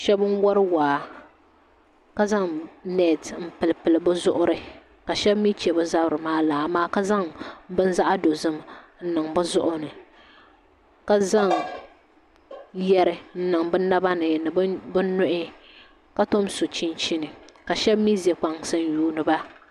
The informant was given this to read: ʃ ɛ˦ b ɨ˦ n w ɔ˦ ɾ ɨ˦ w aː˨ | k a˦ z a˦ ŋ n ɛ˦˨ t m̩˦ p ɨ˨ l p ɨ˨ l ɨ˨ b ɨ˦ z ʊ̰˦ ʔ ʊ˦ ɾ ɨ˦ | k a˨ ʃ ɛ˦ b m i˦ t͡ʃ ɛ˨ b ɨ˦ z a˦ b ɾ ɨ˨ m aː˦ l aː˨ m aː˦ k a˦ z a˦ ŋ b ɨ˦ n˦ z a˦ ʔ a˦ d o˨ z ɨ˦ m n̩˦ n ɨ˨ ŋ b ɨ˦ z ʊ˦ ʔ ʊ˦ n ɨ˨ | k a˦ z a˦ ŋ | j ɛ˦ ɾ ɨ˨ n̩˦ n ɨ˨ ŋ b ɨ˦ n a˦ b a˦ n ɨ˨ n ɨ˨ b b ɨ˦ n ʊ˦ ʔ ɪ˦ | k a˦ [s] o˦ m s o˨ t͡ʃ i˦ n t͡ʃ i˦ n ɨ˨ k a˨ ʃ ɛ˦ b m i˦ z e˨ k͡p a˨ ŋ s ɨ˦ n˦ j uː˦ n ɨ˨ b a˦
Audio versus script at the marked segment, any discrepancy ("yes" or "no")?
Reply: yes